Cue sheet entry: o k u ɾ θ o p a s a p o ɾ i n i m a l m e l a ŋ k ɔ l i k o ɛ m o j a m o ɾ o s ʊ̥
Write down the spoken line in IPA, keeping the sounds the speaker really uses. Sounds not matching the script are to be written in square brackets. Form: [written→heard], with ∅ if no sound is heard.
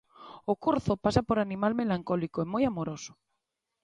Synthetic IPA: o k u ɾ θ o p a s a p o ɾ [i→a] n i m a l m e l a ŋ k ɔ l i k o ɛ m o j a m o ɾ o s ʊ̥